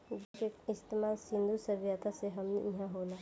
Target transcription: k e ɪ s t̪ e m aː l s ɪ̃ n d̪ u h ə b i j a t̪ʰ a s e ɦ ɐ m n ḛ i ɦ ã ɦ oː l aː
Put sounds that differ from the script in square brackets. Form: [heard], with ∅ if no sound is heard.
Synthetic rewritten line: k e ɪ s t̪ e m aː l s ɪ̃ n d̪ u [s] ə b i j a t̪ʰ a s e ɦ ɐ m n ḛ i ɦ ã ɦ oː l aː

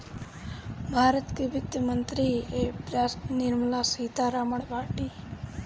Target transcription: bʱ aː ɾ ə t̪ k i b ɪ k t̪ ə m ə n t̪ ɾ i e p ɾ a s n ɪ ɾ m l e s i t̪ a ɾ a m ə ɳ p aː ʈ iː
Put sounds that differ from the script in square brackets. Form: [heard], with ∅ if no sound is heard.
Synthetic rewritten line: bʱ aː ɾ ə t̪ k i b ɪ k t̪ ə m ə n t̪ ɾ i e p ɾ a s n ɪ ɾ m l [a] s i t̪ a ɾ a m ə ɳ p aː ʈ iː

